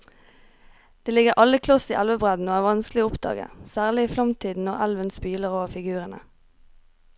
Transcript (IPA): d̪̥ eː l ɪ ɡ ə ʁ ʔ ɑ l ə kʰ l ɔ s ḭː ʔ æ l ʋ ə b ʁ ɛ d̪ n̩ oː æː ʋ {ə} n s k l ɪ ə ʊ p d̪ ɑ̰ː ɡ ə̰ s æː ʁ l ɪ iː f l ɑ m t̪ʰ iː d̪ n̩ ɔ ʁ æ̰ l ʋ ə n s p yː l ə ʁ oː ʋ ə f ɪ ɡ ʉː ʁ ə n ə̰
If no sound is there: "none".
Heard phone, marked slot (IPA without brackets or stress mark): ɑ